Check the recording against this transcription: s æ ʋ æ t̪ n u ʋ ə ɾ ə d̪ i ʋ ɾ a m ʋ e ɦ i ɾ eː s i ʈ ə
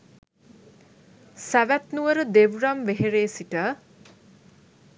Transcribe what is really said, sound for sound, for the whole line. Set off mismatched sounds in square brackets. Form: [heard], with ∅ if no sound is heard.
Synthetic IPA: s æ ʋ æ t̪ n u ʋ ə ɾ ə d̪ [e] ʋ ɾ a m ʋ e ɦ [e] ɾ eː s i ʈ ə